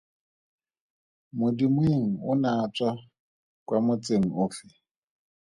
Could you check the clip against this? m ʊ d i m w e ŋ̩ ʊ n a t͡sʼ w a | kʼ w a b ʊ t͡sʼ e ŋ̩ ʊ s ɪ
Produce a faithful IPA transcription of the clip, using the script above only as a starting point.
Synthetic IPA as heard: m ʊ d i m w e ŋ̩ ʊ n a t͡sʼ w a | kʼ w a m ʊ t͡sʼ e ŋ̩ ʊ f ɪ